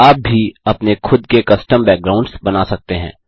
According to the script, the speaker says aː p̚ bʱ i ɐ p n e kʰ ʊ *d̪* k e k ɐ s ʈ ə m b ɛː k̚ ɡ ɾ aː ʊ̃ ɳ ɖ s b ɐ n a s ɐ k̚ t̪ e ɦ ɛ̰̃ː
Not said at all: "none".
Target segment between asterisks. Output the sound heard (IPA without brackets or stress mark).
d̪